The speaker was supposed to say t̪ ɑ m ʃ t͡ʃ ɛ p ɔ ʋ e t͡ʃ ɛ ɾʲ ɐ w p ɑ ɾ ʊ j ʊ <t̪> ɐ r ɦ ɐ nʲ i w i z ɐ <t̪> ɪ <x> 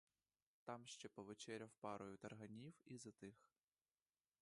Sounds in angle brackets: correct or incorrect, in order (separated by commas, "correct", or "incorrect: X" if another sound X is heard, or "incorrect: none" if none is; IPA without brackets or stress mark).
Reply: correct, correct, correct